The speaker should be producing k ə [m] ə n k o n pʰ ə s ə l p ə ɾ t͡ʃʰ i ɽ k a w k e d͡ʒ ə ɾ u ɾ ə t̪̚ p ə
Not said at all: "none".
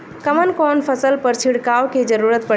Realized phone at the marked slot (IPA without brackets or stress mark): m